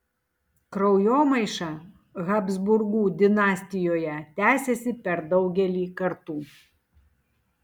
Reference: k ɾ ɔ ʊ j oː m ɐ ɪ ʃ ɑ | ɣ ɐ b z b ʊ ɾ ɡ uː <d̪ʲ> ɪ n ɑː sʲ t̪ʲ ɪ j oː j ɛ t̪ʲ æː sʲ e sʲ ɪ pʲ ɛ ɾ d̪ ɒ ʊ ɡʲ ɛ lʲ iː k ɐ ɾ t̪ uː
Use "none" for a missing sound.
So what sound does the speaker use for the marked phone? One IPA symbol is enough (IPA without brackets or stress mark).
d̪ʲ